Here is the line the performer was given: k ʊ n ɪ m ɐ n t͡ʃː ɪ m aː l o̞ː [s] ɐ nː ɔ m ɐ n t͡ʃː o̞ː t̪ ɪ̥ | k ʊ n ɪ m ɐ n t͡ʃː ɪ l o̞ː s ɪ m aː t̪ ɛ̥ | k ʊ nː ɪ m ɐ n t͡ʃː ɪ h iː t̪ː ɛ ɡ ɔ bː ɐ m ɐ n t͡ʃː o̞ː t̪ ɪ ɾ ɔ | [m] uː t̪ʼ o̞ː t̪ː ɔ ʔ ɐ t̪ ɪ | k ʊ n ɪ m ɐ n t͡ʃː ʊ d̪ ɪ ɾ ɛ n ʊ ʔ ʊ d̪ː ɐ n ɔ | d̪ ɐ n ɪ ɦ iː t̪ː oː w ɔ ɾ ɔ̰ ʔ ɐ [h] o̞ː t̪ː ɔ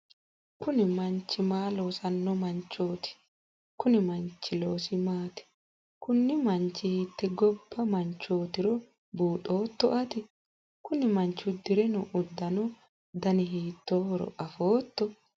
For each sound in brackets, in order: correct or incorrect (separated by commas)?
correct, incorrect, incorrect